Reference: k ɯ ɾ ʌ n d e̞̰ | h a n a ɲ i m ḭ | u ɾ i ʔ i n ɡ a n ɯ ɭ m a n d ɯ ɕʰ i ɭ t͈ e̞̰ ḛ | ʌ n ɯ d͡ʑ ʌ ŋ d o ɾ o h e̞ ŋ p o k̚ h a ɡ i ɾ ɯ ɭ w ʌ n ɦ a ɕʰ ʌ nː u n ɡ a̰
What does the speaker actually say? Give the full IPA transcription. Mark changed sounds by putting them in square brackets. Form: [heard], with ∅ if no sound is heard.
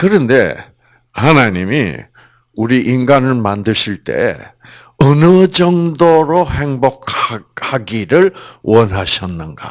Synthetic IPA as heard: k ɯ ɾ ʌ n d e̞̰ | h a n a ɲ i m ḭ | u ɾ i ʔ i n ɡ a n ɯ ɭ m a n d ɯ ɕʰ i ɭ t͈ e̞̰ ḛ | ʌ n ɯ d͡ʑ ʌ ŋ d o ɾ o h e̞ ŋ [b] o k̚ h a ɡ i ɾ ɯ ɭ w ʌ n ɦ a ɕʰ ʌ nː [ɯ] n ɡ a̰